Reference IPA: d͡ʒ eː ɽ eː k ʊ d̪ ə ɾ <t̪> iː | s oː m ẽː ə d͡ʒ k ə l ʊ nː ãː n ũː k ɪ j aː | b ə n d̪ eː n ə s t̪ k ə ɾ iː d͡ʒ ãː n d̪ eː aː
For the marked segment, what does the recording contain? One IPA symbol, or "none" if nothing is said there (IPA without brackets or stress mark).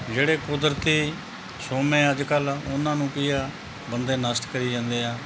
t̪